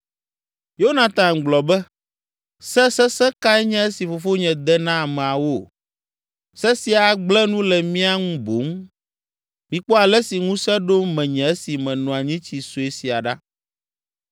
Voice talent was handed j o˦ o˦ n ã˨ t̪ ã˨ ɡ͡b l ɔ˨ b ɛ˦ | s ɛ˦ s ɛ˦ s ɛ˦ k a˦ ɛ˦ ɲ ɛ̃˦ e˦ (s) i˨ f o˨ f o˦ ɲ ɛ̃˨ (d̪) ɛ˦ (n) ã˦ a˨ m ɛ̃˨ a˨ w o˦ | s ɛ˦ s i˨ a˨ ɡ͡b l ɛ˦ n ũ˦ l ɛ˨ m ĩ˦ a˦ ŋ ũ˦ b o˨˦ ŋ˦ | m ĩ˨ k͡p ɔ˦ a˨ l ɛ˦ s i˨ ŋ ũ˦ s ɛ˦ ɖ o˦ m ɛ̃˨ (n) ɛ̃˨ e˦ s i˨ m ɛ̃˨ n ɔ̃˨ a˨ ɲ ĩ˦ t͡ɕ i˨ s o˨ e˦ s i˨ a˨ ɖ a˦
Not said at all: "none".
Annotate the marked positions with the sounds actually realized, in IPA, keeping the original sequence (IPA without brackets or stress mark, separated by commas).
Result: s, d̪, n, ɲ